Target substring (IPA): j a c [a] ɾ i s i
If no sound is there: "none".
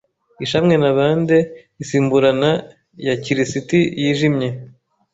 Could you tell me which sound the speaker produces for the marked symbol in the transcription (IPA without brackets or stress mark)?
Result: i